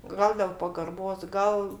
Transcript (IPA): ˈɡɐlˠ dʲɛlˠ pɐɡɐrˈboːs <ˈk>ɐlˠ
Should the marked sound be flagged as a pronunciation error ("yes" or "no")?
yes